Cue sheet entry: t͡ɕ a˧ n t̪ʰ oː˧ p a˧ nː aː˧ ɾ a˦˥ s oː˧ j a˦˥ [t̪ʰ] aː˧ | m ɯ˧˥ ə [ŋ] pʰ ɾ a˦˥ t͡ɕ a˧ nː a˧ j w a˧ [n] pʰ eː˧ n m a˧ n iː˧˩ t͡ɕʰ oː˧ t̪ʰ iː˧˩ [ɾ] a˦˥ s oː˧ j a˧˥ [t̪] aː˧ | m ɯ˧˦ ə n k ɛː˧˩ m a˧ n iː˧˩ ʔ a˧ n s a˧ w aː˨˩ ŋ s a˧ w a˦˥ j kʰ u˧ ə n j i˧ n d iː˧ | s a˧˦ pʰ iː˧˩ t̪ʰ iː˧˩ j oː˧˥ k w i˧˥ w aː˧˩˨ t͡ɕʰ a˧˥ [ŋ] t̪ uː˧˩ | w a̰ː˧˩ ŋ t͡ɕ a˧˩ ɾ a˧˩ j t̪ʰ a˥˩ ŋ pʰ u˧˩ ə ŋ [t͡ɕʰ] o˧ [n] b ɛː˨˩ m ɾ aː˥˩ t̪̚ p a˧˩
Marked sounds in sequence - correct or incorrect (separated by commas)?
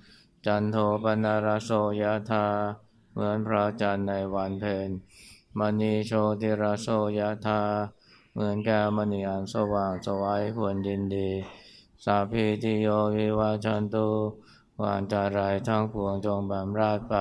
correct, incorrect, correct, correct, incorrect, incorrect, incorrect, incorrect